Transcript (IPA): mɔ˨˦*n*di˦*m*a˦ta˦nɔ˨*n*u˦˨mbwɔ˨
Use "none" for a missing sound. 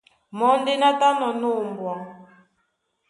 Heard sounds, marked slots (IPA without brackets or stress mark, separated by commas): n, n, n